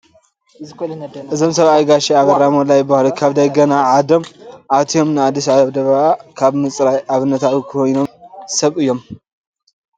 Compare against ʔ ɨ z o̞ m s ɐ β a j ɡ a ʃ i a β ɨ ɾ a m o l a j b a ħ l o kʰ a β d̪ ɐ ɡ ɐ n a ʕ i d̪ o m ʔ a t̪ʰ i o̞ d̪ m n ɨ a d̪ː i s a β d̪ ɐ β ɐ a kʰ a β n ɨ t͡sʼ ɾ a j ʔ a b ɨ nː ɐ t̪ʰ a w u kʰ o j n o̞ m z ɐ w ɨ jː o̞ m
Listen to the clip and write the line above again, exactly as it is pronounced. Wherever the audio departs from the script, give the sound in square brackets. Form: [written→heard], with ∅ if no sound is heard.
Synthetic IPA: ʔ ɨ z o̞ m s ɐ β a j ɡ a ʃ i a β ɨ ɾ a m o l a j b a [ħ→h] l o kʰ a β d̪ ɐ ɡ ɐ n a ʕ [i→a] d̪ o m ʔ a t̪ʰ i o̞ [d̪→∅] m n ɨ a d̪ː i s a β d̪ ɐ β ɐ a kʰ a β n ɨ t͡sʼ ɾ a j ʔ a [b→β] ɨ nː ɐ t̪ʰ a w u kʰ o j n o̞ m [z→s] ɐ [w→β] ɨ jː o̞ m